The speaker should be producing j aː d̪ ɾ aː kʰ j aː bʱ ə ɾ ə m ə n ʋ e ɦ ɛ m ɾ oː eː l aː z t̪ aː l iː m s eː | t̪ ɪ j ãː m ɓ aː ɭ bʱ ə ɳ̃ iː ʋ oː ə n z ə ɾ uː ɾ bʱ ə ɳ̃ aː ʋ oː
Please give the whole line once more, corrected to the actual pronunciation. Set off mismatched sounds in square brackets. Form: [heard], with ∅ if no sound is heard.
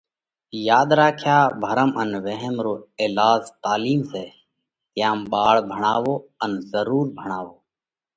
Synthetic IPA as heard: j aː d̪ ɾ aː kʰ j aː bʱ ə ɾ ə m ə n ʋ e ɦ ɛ m ɾ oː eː l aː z t̪ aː l iː m s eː | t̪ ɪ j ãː m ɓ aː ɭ bʱ ə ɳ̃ [aː] ʋ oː ə n z ə ɾ uː ɾ bʱ ə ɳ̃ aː ʋ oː